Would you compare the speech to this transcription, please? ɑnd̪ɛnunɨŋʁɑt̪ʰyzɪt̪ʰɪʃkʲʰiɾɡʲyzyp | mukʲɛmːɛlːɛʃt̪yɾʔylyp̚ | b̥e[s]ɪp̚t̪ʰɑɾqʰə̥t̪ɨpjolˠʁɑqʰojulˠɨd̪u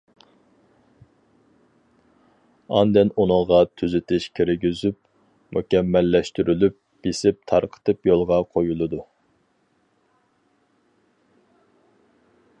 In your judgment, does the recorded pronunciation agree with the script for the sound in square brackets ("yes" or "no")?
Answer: yes